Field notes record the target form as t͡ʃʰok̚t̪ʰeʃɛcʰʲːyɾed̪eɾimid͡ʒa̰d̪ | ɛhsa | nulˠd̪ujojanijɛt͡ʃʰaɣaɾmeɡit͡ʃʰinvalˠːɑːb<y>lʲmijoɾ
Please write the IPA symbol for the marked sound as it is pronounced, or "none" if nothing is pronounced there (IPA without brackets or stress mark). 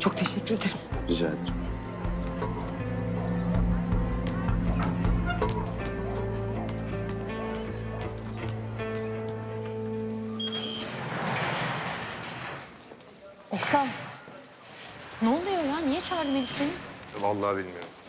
i